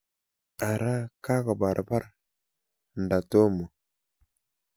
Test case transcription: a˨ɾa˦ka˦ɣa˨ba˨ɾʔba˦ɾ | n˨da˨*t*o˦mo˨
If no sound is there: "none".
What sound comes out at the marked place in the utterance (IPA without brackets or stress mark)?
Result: t